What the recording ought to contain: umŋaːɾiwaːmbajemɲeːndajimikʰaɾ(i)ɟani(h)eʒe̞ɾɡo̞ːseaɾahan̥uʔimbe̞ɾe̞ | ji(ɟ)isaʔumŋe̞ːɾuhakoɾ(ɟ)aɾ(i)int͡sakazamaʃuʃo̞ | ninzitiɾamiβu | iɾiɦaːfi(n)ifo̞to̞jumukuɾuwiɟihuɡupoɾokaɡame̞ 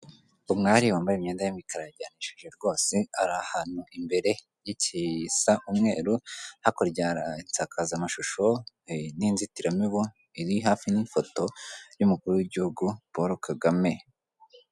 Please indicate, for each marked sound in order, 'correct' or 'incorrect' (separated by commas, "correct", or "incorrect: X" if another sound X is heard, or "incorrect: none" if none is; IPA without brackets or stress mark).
incorrect: a, incorrect: ʃ, incorrect: c, correct, incorrect: a, correct